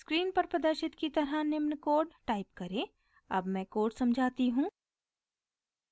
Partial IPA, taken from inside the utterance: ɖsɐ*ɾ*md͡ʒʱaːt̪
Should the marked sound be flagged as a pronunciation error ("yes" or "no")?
yes